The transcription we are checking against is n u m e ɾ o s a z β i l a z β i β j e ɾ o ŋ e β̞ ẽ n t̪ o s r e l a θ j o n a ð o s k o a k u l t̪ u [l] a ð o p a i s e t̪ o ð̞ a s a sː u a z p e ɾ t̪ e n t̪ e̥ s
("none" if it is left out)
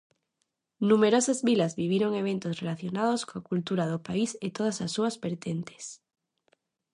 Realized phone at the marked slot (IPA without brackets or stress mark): ɾ